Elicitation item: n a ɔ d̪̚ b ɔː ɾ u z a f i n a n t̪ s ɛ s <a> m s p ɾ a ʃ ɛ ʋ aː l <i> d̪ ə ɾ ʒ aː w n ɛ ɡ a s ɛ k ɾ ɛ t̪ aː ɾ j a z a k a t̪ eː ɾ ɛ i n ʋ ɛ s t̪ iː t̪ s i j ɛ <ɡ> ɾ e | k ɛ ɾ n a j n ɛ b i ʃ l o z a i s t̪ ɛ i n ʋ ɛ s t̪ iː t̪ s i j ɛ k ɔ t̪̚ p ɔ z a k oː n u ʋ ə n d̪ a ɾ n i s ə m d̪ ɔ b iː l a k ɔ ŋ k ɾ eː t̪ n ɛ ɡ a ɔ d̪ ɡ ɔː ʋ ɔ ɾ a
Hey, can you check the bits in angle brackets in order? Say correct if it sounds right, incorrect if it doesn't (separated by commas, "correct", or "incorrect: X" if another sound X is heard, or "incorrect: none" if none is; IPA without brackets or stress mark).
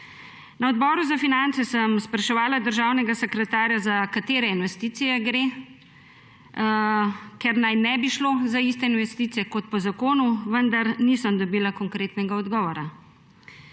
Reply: incorrect: ə, incorrect: a, correct